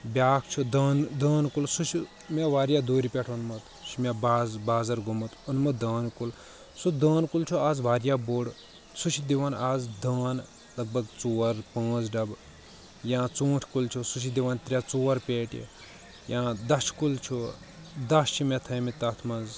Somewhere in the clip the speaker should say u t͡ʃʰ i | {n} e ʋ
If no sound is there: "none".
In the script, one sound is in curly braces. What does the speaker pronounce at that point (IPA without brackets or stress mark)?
m